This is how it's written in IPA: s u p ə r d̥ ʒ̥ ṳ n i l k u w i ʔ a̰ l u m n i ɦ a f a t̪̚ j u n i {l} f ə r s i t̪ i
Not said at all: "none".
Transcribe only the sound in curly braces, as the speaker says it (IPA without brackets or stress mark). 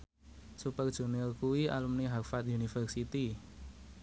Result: none